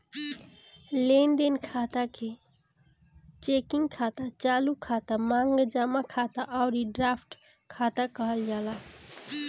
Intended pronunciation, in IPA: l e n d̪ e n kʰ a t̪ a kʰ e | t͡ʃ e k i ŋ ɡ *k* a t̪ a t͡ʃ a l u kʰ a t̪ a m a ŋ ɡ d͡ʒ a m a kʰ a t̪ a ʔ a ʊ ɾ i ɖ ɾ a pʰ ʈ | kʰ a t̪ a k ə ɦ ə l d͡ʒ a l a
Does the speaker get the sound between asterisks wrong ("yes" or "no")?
yes